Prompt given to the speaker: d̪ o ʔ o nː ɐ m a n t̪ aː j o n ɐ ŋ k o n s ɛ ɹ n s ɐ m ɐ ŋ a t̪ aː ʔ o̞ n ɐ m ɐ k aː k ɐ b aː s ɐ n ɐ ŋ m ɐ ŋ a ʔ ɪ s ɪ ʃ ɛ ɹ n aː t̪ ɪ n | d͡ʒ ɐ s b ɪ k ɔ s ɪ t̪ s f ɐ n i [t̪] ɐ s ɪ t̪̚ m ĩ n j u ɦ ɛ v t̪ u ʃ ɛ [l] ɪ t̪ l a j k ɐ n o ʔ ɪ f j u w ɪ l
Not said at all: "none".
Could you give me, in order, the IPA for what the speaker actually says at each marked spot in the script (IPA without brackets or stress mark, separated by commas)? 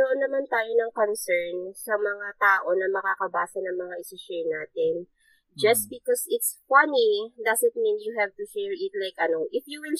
d̪, ɹ